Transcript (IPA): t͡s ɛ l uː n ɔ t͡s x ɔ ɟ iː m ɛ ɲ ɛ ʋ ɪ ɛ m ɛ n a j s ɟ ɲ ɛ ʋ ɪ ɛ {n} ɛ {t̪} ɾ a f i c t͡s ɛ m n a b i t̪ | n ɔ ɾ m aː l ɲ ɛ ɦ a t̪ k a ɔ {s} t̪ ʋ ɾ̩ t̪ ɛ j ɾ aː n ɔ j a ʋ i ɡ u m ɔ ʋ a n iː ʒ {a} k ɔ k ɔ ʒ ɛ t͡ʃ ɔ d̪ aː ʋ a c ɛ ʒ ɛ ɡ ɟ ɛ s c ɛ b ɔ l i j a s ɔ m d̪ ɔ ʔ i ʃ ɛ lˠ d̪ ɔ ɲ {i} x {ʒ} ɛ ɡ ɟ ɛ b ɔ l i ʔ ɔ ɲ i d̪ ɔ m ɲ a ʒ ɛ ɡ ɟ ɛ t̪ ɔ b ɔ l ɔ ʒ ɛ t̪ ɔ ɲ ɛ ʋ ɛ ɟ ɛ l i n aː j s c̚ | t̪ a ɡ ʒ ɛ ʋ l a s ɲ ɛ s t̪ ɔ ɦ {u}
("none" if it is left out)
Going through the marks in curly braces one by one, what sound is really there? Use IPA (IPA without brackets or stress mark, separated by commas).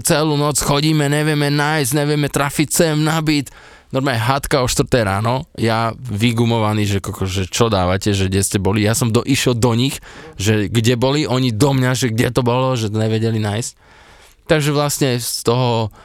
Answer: m, t̪, ʃ, ɛ, i, ʒ, ɔ